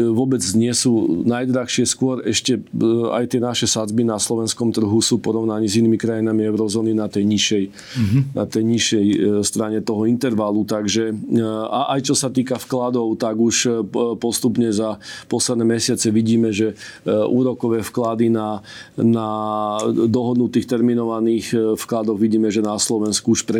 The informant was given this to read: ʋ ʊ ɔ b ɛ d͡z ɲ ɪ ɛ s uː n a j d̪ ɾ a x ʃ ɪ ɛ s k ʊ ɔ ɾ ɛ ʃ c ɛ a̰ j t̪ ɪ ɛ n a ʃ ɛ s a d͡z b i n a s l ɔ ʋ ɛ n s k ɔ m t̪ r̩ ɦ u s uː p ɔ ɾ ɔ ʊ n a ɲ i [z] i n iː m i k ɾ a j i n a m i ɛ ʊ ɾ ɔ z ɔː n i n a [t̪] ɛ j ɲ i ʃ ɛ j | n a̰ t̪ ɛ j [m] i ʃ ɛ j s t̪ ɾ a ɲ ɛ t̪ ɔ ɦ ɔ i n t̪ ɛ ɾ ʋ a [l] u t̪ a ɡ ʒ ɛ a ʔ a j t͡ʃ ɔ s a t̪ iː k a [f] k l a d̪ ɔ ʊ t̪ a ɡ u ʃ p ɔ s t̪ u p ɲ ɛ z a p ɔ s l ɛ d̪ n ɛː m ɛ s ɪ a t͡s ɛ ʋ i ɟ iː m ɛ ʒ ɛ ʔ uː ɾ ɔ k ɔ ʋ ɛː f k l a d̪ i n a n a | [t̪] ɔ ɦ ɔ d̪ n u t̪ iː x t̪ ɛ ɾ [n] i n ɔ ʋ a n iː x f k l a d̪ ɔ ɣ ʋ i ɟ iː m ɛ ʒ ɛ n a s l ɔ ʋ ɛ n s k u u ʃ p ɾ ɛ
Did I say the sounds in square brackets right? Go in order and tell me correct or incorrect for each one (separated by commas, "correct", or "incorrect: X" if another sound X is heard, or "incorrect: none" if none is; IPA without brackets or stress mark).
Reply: correct, correct, incorrect: ɲ, correct, correct, incorrect: d̪, incorrect: m